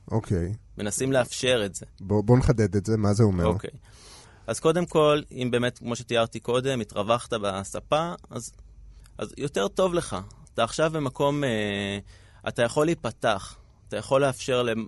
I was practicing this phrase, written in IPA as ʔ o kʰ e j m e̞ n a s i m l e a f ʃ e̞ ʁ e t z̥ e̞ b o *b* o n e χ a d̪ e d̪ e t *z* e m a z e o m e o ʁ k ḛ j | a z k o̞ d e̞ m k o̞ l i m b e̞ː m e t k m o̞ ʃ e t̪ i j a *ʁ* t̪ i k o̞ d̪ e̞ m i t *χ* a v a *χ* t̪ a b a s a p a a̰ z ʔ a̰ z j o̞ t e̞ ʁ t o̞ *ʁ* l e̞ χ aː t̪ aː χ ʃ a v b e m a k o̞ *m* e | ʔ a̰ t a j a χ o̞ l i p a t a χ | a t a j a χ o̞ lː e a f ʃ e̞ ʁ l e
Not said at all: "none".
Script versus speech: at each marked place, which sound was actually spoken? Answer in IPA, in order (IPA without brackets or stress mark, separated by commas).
b, z, ʁ, ʁ, χ, v, m